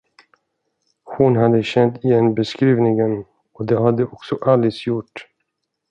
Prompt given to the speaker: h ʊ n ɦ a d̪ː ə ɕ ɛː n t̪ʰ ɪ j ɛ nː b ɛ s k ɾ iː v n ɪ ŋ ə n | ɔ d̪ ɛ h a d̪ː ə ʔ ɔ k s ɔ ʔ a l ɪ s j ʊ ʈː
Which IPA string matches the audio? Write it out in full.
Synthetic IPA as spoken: h ʊ n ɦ a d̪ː ə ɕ ɛ n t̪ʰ ɪ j ɛ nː b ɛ s k ɾ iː v n ɪ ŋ ə n | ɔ d̪ ɛ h a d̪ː ə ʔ ɔ k s ɔ ʔ a l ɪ s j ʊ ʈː